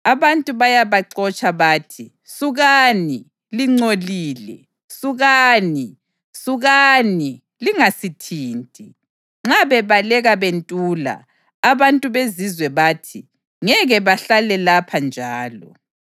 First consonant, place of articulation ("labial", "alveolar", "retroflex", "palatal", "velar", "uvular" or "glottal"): labial